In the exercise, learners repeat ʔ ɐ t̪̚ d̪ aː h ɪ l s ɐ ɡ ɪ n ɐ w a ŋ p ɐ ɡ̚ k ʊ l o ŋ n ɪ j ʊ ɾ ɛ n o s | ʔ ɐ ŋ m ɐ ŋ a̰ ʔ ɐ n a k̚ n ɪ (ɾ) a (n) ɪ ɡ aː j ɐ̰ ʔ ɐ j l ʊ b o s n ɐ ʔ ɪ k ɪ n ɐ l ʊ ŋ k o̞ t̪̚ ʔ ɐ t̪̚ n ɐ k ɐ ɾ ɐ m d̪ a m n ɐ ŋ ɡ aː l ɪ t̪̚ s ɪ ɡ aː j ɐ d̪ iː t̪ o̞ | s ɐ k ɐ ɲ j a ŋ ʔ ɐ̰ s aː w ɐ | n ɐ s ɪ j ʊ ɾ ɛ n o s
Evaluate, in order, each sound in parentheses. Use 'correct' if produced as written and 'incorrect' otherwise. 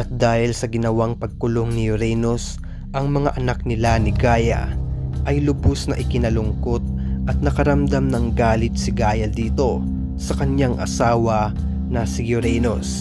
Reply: incorrect, correct

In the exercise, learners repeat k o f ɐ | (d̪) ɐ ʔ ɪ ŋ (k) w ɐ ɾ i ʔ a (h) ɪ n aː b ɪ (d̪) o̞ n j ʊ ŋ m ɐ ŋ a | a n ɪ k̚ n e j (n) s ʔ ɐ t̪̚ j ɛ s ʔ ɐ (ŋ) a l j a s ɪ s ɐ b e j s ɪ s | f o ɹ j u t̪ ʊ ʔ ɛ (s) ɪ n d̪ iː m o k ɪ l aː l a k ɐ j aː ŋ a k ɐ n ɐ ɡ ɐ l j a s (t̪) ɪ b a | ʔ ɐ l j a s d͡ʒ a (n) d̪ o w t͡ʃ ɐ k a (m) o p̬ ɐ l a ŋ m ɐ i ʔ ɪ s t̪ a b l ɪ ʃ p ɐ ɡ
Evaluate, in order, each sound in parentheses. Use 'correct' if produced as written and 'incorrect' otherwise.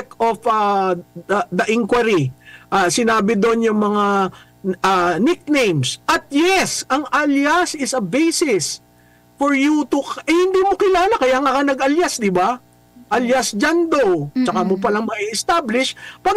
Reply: correct, correct, incorrect, correct, incorrect, correct, incorrect, incorrect, correct, correct

